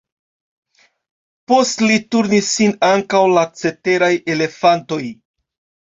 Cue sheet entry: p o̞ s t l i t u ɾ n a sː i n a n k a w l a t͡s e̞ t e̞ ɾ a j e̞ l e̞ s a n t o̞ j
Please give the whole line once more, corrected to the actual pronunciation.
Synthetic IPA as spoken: p o̞ s t l i t u ɾ n i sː i n a ŋ k a w l a t͡s e̞ t e̞ ɾ a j e̞ l e̞ f a n t o̞ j